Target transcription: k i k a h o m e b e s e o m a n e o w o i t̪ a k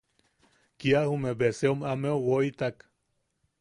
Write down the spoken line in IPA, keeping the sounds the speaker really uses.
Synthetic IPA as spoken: k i a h u m e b e s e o m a m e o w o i t̪ a k